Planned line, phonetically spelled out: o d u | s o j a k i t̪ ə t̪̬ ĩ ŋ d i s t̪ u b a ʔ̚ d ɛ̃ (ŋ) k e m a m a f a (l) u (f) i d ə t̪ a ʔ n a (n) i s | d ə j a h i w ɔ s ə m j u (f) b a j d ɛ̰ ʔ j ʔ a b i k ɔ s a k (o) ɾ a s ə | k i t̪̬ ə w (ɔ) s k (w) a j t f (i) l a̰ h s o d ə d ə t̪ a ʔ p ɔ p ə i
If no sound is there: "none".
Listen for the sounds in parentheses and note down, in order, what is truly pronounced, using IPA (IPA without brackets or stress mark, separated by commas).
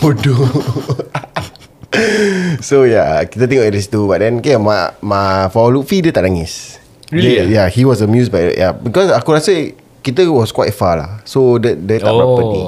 n, l, f, ŋ, s, u, ɔ, w, a